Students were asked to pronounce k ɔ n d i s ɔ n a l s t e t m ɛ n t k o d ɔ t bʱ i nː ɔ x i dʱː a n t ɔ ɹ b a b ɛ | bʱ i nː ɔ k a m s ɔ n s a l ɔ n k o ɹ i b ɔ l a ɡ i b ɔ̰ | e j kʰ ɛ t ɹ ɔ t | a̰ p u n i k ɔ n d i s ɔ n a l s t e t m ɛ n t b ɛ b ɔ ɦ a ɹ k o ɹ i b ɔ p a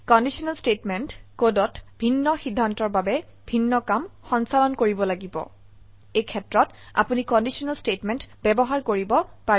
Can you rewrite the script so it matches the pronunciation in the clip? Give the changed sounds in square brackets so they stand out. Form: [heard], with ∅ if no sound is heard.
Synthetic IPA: k ɔ n d i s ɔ n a l s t e t m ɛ n t k o d ɔ t bʱ i nː ɔ x i dʱː a n t ɔ ɹ b a b ɛ | bʱ i nː ɔ k a m [x] ɔ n s a l ɔ n k o ɹ i b ɔ l a ɡ i b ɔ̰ | e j kʰ ɛ t ɹ ɔ t | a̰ p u n i k ɔ n d i s ɔ n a l s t e t m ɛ n t b ɛ b ɔ ɦ a ɹ k o ɹ i b ɔ p a